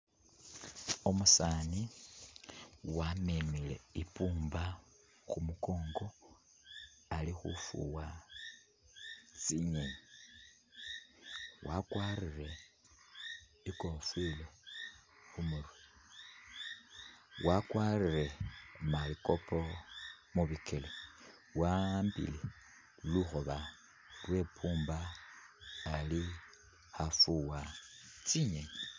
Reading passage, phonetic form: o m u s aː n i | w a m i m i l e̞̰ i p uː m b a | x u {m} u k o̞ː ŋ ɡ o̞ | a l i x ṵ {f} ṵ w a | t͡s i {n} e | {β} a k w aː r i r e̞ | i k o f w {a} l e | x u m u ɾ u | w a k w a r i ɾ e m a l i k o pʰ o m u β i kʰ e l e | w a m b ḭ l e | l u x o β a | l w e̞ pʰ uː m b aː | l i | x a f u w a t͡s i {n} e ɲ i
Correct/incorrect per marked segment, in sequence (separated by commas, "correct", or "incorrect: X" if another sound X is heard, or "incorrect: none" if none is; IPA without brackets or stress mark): correct, correct, incorrect: ɲ, incorrect: w, incorrect: i, incorrect: ɲ